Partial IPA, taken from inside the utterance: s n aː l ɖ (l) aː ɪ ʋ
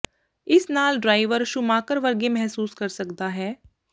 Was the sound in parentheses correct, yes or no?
no